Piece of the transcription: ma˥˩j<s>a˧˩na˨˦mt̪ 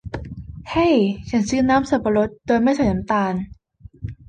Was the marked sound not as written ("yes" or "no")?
no